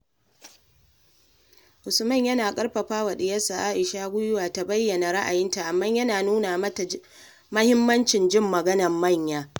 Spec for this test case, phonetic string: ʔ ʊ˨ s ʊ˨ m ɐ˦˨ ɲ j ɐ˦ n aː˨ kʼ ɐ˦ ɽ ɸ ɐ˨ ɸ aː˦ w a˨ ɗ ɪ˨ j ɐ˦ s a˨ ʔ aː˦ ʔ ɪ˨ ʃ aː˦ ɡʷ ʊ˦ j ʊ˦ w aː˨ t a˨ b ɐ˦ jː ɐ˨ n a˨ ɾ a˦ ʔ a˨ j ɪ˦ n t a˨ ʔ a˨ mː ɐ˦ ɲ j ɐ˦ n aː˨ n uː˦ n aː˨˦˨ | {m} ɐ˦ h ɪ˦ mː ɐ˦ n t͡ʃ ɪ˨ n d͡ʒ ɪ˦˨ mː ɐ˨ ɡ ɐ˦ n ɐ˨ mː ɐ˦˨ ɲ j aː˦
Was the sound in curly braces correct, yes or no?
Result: yes